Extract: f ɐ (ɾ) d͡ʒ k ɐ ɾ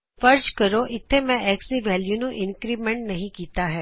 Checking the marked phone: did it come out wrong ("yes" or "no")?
no